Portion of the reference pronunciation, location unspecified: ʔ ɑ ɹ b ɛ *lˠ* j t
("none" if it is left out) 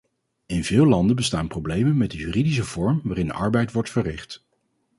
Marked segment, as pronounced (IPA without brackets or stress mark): none